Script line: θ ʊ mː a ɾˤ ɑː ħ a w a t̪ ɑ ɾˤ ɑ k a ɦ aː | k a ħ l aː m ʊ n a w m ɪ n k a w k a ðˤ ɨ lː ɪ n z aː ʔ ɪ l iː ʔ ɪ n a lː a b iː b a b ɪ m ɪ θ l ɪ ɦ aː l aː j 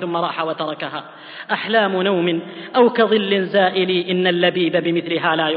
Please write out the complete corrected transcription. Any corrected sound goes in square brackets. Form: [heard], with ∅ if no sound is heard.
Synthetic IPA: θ ʊ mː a ɾˤ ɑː ħ a w a t̪ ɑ ɾˤ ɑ k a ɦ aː | [ʔ] a ħ l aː m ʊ n a w m ɪ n [ʔ] a w k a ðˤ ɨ lː ɪ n z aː ʔ ɪ l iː ʔ ɪ [nː] a lː a b iː b a b ɪ m ɪ θ l ɪ ɦ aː l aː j